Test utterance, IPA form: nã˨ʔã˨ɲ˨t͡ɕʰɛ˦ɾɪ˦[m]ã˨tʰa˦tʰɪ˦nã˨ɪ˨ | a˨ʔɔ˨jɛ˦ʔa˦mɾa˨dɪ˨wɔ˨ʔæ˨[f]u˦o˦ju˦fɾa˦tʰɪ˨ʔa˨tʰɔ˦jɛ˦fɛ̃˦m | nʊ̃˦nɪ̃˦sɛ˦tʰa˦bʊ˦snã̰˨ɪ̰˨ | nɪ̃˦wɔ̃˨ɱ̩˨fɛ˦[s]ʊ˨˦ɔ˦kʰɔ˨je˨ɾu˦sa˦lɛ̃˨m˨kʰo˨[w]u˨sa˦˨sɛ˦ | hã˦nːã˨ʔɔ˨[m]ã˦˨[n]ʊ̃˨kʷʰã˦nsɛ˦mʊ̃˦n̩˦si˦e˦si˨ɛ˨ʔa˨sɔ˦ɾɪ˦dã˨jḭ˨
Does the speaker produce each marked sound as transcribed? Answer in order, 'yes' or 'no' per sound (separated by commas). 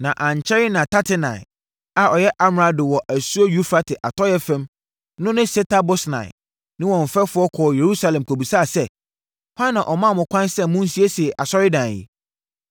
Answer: no, no, no, no, yes, no